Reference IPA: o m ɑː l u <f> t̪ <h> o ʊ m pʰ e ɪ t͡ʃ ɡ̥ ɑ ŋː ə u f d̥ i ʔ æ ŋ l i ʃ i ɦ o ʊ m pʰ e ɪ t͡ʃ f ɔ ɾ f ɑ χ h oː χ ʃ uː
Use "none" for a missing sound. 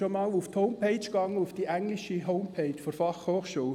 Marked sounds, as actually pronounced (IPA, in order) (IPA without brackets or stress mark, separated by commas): f, h